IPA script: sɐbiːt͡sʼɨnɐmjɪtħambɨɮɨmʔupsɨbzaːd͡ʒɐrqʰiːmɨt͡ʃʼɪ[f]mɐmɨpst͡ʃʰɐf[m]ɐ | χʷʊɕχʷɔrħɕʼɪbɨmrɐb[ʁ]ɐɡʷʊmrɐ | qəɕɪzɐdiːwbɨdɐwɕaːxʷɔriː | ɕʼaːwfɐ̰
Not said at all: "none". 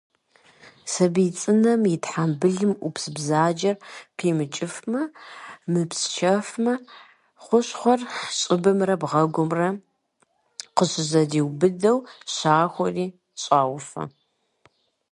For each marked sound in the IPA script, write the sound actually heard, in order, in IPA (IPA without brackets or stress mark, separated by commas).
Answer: f, m, ʁ